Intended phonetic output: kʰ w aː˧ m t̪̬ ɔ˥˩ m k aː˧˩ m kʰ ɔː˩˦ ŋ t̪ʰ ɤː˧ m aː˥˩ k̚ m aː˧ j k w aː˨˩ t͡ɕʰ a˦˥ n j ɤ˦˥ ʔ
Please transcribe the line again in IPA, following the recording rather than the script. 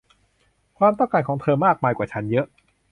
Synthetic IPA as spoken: kʰ w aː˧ m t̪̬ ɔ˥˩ ŋ k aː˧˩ n kʰ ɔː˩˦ ŋ t̪ʰ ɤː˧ m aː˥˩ k̚ m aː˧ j k w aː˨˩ t͡ɕʰ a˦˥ n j ɤ˦˥ ʔ